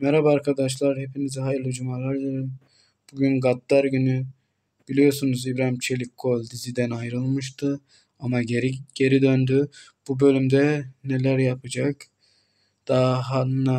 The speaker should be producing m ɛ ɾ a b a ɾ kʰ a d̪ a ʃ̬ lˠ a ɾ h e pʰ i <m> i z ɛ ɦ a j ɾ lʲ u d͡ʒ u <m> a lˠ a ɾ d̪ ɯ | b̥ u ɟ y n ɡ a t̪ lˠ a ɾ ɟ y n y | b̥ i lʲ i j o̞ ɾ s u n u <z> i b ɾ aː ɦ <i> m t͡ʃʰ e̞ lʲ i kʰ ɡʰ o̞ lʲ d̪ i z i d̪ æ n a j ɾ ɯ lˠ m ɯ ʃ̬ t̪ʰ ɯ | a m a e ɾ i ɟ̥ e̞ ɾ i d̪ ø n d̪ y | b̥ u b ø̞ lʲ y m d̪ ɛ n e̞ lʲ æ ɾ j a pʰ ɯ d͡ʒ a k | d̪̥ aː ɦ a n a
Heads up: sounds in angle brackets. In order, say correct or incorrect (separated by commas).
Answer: incorrect, correct, correct, correct